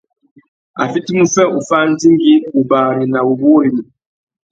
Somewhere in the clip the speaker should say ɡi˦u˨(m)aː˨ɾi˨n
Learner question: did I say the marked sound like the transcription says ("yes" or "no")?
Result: no